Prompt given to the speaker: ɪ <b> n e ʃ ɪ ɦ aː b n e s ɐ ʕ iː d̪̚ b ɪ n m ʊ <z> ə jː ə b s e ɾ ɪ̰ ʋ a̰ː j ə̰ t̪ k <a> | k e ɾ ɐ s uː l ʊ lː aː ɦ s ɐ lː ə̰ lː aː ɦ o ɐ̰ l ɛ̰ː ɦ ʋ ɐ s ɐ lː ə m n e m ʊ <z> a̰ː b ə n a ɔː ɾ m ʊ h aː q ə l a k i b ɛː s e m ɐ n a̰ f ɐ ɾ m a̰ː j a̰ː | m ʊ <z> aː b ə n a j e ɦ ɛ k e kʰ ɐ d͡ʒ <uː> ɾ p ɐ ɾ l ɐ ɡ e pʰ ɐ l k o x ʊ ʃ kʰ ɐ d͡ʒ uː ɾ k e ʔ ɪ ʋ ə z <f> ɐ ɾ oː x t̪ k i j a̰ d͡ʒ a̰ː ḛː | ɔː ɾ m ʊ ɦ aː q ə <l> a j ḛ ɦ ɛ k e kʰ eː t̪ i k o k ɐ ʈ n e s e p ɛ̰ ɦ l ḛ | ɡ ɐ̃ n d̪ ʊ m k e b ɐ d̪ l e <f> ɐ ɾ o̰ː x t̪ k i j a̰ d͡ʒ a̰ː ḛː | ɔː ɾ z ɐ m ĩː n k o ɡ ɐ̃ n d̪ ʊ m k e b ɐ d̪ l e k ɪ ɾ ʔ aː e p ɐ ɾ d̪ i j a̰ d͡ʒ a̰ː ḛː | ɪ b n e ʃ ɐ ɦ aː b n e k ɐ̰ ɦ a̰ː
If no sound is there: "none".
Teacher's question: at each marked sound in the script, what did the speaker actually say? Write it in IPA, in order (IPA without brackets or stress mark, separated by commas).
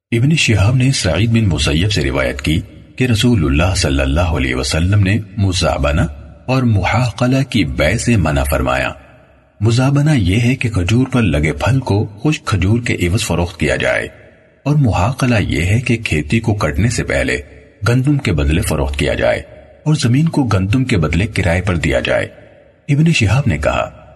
b, s, i, z, z, uː, f, l, f